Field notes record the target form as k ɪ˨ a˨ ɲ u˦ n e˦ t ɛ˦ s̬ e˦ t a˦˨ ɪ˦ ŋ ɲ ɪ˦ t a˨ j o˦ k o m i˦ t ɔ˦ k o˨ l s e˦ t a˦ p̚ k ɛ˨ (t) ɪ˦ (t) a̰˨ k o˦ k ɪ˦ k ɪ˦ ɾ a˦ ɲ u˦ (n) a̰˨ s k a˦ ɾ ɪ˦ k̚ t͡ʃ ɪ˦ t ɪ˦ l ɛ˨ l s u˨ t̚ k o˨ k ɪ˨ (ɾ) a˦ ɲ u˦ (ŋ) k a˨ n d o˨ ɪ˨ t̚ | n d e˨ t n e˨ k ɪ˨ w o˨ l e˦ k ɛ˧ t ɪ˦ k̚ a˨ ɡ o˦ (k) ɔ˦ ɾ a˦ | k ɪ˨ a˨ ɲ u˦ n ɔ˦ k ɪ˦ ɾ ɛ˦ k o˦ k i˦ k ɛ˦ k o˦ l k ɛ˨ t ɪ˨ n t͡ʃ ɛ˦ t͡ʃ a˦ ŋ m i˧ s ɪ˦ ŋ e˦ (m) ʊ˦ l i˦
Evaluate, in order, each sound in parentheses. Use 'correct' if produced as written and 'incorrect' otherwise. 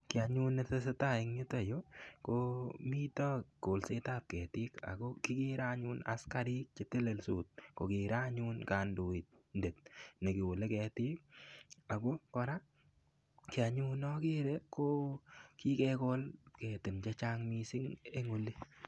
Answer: correct, incorrect, correct, correct, incorrect, correct, incorrect

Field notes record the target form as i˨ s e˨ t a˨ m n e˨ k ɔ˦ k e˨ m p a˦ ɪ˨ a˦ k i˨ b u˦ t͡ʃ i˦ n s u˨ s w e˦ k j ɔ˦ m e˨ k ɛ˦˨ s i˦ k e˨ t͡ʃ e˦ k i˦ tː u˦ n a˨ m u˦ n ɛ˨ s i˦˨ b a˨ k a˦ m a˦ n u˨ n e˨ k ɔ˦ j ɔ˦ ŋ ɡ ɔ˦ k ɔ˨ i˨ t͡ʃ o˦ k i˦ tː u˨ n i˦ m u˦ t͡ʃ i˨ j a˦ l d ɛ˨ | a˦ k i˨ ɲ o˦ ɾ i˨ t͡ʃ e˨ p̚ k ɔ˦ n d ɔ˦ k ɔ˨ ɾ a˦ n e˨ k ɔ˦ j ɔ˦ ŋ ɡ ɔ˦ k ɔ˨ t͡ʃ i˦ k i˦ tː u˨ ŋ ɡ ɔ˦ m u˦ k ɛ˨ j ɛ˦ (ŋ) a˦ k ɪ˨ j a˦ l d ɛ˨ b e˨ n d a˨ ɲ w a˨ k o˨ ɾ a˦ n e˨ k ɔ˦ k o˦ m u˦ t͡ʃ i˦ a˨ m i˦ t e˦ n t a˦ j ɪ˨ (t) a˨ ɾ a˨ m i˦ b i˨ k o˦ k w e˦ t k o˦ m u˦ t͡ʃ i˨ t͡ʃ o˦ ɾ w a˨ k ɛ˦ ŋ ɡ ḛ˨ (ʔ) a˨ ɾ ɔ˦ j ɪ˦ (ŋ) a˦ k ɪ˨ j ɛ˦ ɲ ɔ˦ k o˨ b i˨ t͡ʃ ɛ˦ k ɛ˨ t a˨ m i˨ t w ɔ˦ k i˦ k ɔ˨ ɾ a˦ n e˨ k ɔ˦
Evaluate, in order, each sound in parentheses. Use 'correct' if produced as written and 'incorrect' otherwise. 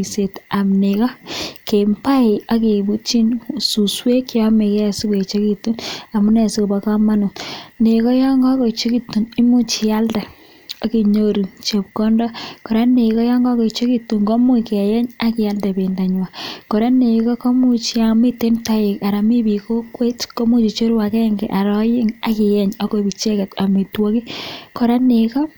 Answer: incorrect, incorrect, correct, correct

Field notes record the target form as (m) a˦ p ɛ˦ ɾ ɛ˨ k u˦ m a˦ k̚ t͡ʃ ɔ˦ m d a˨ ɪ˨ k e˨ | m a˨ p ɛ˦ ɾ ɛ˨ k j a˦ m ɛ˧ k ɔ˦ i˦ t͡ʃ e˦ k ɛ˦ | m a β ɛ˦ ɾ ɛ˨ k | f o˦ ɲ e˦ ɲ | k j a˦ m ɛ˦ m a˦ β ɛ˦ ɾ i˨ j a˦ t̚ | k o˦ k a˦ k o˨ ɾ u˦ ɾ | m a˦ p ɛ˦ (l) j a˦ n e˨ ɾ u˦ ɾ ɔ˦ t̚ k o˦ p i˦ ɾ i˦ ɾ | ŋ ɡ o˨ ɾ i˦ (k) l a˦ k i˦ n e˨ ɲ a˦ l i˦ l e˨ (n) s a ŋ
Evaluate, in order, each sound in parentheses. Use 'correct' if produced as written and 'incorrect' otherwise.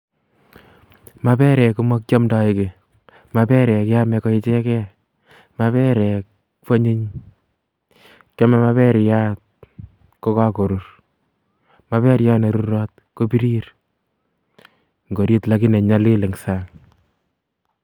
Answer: correct, incorrect, incorrect, incorrect

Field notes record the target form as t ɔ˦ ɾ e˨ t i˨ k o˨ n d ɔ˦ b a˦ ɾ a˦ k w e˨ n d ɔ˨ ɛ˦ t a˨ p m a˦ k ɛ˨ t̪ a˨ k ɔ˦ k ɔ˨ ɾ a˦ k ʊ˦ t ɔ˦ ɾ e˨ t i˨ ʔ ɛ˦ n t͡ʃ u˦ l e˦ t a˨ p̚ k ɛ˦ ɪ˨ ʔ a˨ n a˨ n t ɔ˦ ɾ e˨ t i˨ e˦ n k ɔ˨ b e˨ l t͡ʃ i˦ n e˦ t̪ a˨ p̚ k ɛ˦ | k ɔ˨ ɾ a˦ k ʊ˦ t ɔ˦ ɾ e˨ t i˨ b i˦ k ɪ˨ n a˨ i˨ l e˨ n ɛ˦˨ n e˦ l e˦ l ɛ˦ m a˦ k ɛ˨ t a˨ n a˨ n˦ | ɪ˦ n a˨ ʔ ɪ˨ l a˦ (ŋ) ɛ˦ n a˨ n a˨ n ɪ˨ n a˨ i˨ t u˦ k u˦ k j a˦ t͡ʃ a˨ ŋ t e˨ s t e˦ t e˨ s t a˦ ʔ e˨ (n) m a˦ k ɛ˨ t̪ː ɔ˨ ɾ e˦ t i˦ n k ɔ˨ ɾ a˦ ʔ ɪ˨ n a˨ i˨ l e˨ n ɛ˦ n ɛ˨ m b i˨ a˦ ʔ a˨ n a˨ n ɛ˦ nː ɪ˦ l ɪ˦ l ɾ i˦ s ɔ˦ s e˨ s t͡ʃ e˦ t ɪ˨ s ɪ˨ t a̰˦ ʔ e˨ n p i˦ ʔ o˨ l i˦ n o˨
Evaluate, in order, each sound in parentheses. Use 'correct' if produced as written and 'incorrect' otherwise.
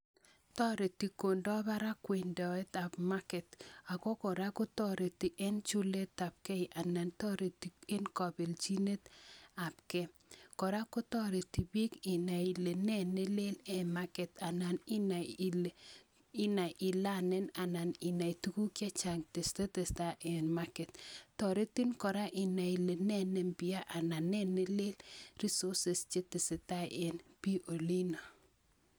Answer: incorrect, correct

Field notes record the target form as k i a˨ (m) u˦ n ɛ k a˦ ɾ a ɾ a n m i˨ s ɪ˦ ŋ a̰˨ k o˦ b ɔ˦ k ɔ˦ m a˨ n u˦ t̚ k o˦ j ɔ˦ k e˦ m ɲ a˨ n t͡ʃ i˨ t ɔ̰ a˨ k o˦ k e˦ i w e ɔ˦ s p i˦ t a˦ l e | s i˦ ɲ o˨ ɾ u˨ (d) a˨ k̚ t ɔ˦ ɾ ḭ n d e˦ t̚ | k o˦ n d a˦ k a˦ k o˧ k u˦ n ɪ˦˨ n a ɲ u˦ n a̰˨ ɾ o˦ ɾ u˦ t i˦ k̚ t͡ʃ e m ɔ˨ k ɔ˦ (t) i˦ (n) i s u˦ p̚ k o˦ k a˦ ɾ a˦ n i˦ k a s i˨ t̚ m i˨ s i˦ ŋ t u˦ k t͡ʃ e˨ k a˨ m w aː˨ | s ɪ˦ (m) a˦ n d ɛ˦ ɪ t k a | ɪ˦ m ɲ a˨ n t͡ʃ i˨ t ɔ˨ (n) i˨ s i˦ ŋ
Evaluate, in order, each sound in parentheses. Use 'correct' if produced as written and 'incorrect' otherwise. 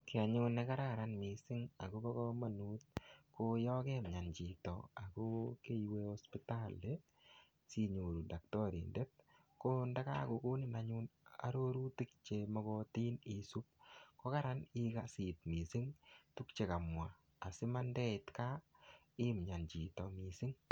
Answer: incorrect, correct, correct, correct, correct, incorrect

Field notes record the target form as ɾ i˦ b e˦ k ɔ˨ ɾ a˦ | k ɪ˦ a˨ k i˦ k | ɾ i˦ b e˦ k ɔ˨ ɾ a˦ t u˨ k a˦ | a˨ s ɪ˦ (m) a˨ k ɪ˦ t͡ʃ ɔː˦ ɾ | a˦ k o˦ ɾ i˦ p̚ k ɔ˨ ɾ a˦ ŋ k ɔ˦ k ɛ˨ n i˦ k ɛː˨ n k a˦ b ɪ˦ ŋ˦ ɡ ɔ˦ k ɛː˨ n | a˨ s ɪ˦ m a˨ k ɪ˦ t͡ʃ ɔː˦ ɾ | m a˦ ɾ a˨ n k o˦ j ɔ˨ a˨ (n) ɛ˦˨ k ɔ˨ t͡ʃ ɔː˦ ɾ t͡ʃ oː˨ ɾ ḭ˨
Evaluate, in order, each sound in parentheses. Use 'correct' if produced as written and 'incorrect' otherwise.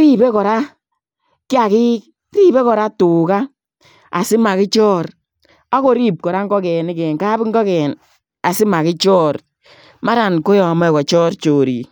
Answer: correct, incorrect

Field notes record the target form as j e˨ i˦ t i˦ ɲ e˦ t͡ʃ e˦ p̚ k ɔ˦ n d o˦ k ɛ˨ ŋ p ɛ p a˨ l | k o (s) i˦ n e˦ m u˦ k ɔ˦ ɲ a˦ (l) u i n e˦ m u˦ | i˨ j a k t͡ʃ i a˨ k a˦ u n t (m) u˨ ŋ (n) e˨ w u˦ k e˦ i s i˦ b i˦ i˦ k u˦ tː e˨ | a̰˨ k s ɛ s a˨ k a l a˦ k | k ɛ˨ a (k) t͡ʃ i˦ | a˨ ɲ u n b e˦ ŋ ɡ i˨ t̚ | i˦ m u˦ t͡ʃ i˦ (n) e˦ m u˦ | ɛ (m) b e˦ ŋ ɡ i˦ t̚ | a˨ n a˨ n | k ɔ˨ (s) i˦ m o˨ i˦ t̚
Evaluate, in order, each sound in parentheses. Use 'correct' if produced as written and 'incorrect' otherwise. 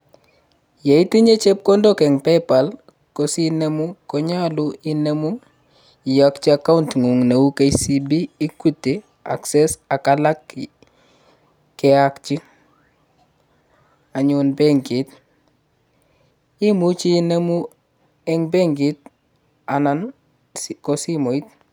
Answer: correct, correct, incorrect, correct, correct, correct, incorrect, correct

